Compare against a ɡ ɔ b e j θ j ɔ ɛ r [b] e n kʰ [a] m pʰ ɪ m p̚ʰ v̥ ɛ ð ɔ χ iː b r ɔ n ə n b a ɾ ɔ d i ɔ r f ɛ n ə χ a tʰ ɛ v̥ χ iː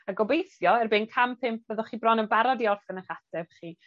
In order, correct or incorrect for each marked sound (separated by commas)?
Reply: correct, correct